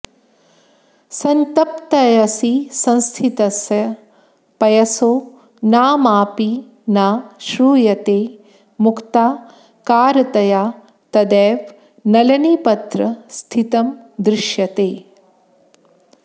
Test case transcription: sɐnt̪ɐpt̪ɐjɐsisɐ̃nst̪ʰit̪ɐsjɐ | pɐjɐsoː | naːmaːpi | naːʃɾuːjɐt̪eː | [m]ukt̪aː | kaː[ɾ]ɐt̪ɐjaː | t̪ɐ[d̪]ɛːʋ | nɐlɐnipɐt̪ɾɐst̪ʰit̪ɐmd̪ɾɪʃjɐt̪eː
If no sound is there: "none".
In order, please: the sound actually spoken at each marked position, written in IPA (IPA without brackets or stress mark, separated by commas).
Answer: m, ɾ, d̪